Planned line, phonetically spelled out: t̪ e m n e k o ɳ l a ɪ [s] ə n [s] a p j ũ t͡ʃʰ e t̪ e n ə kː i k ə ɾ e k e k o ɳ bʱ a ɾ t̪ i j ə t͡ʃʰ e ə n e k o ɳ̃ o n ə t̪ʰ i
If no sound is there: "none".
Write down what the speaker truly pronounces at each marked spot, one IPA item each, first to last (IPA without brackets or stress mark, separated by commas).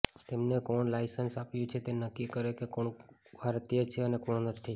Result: s, s